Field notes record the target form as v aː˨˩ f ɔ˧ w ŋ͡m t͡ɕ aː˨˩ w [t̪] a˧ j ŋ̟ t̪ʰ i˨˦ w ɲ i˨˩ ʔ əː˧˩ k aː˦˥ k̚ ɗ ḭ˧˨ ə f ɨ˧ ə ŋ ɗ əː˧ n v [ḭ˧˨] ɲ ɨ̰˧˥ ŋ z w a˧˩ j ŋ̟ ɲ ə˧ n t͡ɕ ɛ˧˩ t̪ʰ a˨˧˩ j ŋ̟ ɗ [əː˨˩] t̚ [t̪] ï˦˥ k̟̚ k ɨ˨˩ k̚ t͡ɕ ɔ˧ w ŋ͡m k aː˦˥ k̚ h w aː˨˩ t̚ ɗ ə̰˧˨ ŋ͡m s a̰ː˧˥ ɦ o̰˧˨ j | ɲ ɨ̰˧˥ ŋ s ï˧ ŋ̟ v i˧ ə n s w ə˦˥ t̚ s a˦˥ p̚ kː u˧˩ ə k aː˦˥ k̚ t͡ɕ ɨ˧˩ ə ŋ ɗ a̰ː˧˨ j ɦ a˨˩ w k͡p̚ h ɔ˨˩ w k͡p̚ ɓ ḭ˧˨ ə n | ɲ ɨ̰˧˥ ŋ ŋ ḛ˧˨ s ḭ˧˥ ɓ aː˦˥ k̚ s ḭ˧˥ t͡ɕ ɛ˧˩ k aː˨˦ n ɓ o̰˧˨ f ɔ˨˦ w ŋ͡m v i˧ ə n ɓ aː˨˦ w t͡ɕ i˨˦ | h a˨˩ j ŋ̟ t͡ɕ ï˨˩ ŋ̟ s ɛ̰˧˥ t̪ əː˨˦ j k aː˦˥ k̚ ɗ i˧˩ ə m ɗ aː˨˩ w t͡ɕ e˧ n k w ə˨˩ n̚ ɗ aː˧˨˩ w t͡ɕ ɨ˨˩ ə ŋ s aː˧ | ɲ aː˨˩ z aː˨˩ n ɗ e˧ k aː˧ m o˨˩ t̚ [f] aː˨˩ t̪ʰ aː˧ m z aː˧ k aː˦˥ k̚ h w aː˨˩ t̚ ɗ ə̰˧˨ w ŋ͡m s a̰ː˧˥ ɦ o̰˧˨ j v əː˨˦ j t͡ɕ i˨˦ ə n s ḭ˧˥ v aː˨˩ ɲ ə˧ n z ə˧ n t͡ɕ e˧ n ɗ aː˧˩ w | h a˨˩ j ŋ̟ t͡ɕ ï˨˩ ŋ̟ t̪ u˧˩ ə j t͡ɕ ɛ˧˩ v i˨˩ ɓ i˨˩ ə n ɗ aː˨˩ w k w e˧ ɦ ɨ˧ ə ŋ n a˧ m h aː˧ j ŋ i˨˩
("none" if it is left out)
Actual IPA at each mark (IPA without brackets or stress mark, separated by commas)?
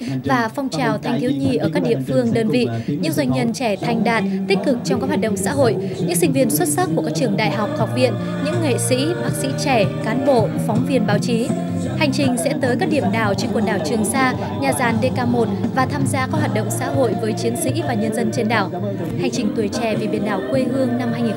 t̪ʰ, ḭ˧˨, aː˨˩, t̪, v